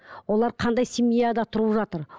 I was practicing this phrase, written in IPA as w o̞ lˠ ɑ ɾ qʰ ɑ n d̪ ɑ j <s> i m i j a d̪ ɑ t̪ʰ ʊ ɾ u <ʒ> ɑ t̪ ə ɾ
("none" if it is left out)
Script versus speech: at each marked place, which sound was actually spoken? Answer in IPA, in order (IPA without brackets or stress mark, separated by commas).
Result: s, ʒ